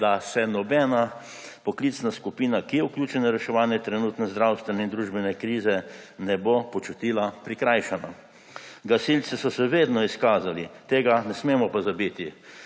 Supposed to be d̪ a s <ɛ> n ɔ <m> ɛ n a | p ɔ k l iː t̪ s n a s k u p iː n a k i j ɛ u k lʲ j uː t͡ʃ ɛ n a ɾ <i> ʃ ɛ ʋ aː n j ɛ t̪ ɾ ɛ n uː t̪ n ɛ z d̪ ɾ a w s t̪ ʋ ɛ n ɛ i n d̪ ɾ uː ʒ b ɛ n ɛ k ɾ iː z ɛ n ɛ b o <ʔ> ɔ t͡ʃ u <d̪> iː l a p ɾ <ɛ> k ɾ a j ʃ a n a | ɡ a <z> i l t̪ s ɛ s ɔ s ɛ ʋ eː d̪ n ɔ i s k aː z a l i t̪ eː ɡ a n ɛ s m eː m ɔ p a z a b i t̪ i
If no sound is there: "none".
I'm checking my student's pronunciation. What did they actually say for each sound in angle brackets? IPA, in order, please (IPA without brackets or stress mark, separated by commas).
ɛ, b, ɛ, p, t̪, i, s